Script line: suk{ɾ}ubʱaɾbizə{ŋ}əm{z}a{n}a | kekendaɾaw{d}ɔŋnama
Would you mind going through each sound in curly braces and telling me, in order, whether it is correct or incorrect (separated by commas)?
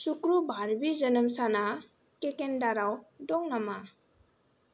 correct, incorrect, incorrect, correct, correct